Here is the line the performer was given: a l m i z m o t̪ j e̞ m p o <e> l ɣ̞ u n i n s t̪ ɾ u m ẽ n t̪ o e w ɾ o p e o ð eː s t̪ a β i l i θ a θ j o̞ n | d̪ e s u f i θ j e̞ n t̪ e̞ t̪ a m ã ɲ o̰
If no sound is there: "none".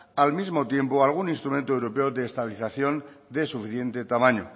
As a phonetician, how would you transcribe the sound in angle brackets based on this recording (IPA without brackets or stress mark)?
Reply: a